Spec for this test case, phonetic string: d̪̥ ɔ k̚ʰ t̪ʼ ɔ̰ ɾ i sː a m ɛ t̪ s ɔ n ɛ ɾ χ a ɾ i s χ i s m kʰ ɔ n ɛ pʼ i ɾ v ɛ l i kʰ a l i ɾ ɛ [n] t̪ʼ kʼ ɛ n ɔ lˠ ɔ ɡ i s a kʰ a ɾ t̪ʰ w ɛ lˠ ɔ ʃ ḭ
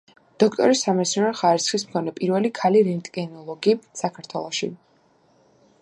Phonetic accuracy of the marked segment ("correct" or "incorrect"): correct